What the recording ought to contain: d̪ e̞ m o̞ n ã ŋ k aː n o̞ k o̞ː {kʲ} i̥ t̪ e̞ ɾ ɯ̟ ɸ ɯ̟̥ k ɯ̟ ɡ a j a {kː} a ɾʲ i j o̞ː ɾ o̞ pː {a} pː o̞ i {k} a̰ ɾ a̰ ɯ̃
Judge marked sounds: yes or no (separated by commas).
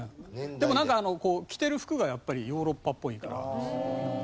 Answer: yes, no, yes, yes